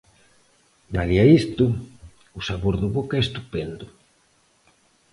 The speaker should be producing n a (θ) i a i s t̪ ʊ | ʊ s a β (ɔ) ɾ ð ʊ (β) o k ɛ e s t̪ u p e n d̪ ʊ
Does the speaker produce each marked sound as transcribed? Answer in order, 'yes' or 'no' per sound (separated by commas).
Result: no, no, yes